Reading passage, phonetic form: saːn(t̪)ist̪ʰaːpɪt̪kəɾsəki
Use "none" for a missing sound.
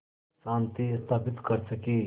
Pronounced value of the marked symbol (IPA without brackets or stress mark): t̪